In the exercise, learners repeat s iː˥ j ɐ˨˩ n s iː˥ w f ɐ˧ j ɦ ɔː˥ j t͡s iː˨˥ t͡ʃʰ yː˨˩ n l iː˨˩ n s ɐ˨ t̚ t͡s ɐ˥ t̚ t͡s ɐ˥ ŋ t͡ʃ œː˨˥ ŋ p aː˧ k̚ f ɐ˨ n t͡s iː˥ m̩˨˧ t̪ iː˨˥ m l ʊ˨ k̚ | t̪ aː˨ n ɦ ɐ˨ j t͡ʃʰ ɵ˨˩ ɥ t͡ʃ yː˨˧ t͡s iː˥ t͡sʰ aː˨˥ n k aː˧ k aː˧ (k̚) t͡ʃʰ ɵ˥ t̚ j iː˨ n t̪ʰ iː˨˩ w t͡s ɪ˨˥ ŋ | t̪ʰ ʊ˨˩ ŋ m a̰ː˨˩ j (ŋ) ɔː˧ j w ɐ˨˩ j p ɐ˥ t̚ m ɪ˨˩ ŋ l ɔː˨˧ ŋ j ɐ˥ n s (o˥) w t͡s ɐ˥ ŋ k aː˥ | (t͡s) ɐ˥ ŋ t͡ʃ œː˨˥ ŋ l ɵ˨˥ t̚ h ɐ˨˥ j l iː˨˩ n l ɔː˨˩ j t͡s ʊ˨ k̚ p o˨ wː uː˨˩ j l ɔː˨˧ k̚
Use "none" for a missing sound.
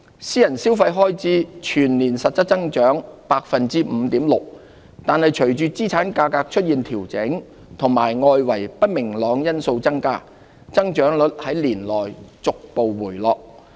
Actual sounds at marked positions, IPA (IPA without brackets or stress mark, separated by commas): k̚, ŋ, o˧, t͡s